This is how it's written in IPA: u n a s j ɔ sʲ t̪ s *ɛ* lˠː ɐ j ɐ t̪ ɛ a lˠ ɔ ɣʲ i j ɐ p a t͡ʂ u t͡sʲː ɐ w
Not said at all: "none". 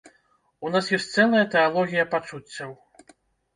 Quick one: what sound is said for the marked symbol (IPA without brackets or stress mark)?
ɛ